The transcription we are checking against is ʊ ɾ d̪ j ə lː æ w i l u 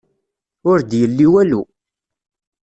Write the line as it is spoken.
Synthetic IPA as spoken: ʊ ɾ d̪ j ə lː i w æ l u

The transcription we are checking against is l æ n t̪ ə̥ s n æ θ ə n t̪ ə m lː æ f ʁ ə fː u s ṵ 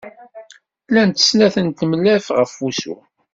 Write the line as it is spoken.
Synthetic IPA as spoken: l æ n t̪ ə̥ s n æ θ ə n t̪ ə m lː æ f ʁ ə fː u s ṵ

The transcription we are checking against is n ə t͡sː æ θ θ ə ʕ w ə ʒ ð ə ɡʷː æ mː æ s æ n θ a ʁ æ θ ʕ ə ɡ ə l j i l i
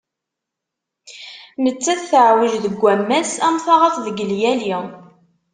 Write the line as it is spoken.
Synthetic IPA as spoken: n ə t͡sː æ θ θ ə ʕ w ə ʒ ð ə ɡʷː æ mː æ s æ m θ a ʁ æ θ ð ə ɡ ə l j æ l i

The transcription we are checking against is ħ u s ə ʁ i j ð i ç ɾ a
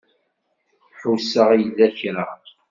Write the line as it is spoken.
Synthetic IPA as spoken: ħ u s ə ʁ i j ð æ ç ɾ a

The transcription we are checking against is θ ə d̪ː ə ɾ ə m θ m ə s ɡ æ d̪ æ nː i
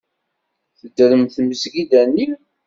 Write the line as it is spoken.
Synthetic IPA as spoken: θ ə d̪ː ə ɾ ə m θ m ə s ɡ i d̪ æ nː i

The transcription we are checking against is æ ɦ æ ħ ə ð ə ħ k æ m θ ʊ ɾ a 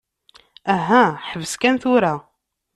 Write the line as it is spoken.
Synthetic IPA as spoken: æ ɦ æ ħ ə v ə s k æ n θ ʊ ɾ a

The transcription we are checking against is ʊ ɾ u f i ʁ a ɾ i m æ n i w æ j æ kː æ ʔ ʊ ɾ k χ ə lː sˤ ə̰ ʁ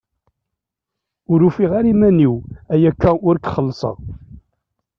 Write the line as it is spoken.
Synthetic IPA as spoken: ʊ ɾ u f i ʁ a ɾ i m æ n i w æ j æ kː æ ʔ ʊ ɾ k χ ə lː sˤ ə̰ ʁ

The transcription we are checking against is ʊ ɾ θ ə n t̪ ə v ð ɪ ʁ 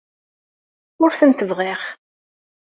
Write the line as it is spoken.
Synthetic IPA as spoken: ʊ ɾ θ ə n t̪ ə v ʁ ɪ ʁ

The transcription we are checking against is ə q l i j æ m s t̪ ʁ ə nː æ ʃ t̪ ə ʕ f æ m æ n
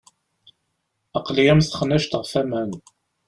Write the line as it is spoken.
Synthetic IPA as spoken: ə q l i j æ m s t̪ χ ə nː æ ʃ t̪ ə ʁ f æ m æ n

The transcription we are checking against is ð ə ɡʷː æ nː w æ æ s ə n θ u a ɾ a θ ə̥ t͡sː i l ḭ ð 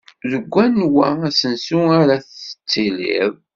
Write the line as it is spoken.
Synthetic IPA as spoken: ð ə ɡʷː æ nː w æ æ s ə n s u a ɾ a θ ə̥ t͡sː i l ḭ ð

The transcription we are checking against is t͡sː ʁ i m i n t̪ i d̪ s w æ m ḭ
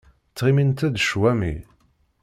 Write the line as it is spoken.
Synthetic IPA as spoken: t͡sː ʁ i m i n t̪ æ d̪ ʃ w æ m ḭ

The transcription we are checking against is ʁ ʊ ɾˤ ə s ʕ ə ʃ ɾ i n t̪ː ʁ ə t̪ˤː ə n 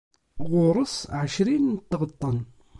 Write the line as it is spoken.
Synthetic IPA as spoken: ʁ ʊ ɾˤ ə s ʕ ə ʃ ɾ i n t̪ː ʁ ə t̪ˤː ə n

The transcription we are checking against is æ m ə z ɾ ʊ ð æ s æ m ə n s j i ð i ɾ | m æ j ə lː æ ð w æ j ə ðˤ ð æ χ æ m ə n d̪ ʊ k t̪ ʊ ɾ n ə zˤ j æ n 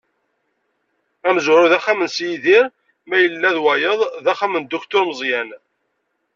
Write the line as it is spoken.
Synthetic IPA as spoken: æ m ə z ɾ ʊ ð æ χ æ m ə n s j i ð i ɾ | m æ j ə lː æ ð w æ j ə ðˤ ð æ χ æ m ə n d̪ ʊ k t̪ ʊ ɾ m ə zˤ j æ n

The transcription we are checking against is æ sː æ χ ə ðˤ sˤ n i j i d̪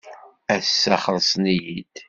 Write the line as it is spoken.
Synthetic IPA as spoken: æ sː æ χ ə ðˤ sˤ n i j i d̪

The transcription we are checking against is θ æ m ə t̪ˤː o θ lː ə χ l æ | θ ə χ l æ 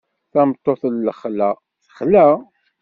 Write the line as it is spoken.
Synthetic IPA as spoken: θ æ m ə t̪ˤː o θ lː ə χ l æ | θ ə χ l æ

